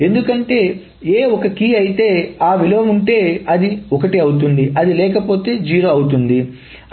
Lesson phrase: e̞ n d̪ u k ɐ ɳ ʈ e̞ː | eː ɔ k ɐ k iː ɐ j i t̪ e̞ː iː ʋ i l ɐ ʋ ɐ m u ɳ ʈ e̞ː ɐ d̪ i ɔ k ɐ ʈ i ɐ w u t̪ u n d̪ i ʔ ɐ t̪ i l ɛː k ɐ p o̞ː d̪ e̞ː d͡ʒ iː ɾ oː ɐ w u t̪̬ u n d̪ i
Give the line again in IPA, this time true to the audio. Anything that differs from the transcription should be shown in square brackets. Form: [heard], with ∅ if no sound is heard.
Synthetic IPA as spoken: e̞ n d̪ u k ɐ ɳ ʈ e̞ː | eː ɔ k ɐ k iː ɐ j i t̪ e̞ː [aː] ʋ i l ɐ ʋ ɐ m u ɳ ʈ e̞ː ɐ d̪ i ɔ k ɐ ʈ i ɐ w u t̪ u n d̪ i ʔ ɐ [d̪] i l ɛː k ɐ p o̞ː [t̪] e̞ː d͡ʒ iː ɾ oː ɐ w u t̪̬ u n d̪ i